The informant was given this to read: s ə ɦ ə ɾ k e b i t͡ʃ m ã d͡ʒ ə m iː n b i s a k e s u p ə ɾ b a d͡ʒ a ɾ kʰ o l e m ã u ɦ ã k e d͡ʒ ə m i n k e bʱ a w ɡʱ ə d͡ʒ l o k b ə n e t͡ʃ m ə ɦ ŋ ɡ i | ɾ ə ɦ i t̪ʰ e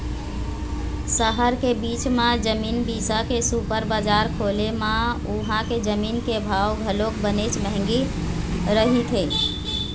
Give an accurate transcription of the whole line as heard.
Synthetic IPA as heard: s ə ɦ ə ɾ k e b i t͡ʃ m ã d͡ʒ ə m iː n b i s a k e s u p ə ɾ b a d͡ʒ a ɾ kʰ o l e m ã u ɦ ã k e d͡ʒ ə m i n k e bʱ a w ɡʱ ə l o k b ə n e t͡ʃ m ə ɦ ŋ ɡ i | ɾ ə ɦ i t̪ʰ e